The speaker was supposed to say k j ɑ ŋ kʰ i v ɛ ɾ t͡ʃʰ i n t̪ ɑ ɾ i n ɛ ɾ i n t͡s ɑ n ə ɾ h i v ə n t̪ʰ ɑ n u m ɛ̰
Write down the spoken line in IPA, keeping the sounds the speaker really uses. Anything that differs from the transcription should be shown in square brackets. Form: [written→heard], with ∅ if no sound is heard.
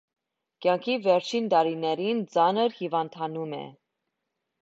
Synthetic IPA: k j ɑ ŋ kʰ i v ɛ ɾ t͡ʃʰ i n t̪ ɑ ɾ i n ɛ ɾ i n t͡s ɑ n ə ɾ h i v [ə→ɑ] n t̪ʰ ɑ n u m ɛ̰